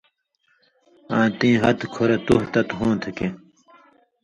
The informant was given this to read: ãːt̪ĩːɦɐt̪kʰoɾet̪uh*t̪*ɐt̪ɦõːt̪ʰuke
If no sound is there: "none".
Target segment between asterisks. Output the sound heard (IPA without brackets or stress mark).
t̪